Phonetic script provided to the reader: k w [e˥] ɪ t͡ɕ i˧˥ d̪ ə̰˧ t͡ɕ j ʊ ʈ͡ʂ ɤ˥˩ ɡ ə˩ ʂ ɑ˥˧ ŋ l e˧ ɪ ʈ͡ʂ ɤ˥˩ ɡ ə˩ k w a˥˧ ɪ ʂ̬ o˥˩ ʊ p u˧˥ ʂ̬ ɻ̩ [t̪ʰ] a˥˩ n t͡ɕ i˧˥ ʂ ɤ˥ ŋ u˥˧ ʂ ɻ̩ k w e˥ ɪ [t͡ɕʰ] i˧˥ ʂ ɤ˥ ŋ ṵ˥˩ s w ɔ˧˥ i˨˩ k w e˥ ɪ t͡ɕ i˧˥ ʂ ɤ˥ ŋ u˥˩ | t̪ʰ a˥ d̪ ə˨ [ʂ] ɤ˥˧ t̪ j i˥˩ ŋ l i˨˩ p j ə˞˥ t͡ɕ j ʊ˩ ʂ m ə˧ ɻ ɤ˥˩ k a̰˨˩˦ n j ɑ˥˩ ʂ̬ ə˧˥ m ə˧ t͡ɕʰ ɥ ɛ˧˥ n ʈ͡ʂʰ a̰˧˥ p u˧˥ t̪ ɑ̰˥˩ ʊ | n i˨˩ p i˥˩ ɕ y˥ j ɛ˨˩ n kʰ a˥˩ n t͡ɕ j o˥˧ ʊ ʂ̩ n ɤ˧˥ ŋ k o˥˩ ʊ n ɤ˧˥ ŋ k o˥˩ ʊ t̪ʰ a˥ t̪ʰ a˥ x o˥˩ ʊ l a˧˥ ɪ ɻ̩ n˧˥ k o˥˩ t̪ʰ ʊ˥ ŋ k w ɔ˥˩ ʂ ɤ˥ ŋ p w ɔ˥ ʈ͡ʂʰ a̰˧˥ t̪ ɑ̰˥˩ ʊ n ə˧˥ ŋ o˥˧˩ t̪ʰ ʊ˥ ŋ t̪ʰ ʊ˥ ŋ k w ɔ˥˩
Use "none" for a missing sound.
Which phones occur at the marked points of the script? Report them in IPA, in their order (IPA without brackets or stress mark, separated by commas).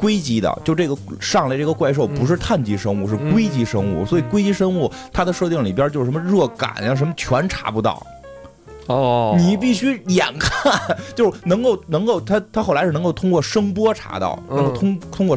e˥, t̪ʰ, t͡ɕ, ʂ